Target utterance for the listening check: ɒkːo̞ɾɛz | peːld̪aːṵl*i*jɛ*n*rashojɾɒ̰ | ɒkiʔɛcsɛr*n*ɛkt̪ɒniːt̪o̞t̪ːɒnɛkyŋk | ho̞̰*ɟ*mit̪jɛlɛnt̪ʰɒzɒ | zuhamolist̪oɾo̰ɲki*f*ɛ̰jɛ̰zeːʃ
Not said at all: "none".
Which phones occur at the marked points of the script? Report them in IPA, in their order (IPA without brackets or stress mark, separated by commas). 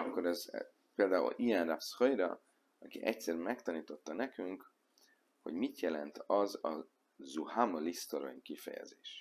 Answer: i, n, m, ɟ, f